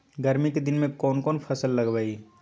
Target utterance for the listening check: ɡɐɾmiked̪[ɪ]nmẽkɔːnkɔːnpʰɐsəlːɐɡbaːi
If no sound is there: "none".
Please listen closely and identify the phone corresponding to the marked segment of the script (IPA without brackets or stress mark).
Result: ɪ